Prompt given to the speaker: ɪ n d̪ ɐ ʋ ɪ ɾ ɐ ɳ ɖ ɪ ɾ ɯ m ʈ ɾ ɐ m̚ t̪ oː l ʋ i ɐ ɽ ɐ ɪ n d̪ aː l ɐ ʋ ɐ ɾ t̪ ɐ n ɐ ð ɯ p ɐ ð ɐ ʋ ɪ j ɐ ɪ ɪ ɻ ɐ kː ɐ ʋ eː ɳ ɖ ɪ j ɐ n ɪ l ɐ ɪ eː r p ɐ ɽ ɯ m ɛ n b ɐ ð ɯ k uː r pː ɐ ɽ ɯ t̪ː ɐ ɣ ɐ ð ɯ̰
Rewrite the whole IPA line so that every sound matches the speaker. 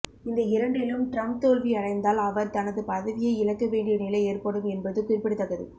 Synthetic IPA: ɪ n d̪ ɐ ɪ ɾ ɐ ɳ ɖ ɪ l ɯ m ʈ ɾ ɐ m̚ t̪ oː l ʋ i ɐ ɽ ɐ ɪ n d̪ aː l ɐ ʋ ɐ ɾ t̪ ɐ n ɐ ð ɯ p ɐ ð ɐ ʋ ɪ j ɐ ɪ ɪ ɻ ɐ kː ɐ ʋ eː ɳ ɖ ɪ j ɐ n ɪ l ɐ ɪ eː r p ɐ ɽ ɯ m ɛ n b ɐ ð ɯ k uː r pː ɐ ɽ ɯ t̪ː ɐ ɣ ɐ ð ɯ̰

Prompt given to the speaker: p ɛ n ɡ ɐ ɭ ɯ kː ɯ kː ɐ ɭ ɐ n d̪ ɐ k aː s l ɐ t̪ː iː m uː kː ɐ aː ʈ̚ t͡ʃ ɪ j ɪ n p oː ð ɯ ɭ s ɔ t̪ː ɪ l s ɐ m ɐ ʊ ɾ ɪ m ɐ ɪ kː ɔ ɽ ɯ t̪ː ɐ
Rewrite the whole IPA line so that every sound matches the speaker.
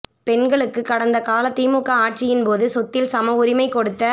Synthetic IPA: p ɛ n ɡ ɐ ɭ ɯ kː ɯ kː ɐ ɽ ɐ n d̪ ɐ k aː l ɐ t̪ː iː m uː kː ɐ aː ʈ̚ t͡ʃ ɪ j ɪ n p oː ð ɯ s ɔ t̪ː ɪ l s ɐ m ɐ ʊ ɾ ɪ m ɐ ɪ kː ɔ ɽ ɯ t̪ː ɐ

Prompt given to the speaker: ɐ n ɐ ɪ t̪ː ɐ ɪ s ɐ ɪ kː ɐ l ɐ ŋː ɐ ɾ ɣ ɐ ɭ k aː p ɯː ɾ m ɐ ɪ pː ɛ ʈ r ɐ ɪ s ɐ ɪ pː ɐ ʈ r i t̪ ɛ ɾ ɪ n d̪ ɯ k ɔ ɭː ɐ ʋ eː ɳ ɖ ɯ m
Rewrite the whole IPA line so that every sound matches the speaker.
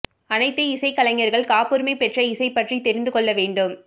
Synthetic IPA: ɐ n ɐ ɪ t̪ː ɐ ɪ s ɐ ɪ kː ɐ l ɐ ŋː ɐ ɾ ɣ ɐ ɭ k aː p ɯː ɾ m ɐ ɪ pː ɛ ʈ r ɐ ɪ s ɐ ɪ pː ɐ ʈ r i t̪ ɛ ɾ ɪ n d̪ ɯ k ɔ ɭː ɐ ʋ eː ɳ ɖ ɯ m

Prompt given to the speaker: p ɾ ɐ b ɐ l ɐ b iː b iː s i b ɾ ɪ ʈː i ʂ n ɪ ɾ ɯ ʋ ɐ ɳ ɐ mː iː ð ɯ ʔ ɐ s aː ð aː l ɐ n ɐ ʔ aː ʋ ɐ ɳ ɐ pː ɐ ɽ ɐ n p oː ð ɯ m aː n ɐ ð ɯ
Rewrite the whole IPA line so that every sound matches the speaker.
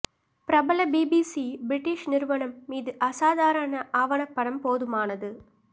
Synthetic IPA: p ɾ ɐ b ɐ l ɐ b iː b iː s i b ɾ ɪ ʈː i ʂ n ɪ ɾ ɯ ʋ ɐ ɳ ɐ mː iː ð ɯ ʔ ɐ s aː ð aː ɾ ɐ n ɐ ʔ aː ʋ ɐ ɳ ɐ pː ɐ ɽ ɐ m p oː ð ɯ m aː n ɐ ð ɯ

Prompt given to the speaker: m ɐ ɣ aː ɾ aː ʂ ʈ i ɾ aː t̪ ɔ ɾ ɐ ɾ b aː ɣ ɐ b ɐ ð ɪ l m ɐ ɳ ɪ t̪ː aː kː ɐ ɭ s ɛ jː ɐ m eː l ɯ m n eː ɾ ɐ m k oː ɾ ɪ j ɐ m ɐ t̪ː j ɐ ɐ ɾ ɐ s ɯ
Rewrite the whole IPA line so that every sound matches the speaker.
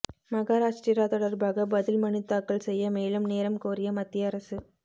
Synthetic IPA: m ɐ ɣ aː ɾ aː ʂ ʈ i ɾ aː t̪ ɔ ɽ ɐ ɾ b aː ɣ ɐ b ɐ ð ɪ l m ɐ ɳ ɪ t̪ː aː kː ɐ ɭ s ɛ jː ɐ m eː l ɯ m n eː ɾ ɐ m k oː ɾ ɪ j ɐ m ɐ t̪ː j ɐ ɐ ɾ ɐ s ɯ

